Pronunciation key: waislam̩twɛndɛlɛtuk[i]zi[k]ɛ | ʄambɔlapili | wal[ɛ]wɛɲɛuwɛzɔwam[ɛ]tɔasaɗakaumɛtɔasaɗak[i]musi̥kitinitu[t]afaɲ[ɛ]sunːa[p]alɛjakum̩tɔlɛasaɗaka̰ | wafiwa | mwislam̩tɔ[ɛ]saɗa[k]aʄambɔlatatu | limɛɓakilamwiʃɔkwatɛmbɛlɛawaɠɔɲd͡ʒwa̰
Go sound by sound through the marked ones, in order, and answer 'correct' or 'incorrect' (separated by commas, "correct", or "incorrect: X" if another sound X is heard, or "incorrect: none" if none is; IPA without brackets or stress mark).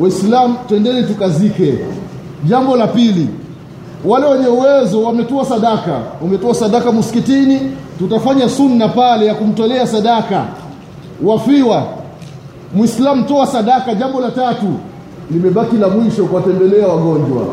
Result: incorrect: a, correct, correct, correct, incorrect: a, correct, incorrect: a, correct, incorrect: a, correct